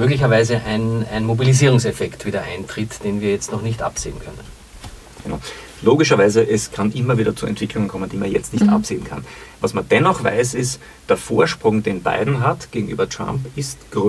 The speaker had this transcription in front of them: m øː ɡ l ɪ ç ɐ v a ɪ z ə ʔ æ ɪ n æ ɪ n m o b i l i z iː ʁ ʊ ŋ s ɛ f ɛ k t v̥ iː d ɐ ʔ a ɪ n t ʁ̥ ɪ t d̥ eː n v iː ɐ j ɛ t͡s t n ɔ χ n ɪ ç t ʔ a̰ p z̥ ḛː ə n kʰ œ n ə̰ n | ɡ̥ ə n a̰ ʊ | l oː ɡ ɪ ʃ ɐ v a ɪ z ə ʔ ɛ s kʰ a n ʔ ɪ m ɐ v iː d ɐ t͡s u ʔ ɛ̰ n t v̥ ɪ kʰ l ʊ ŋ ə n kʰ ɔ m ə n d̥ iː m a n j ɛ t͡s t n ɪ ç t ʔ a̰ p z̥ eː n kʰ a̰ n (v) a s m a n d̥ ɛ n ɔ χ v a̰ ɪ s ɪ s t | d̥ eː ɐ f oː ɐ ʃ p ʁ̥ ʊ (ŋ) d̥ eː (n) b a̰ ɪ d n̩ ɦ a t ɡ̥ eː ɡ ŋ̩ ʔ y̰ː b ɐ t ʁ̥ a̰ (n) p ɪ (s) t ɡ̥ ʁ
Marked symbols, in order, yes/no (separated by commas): yes, yes, yes, no, yes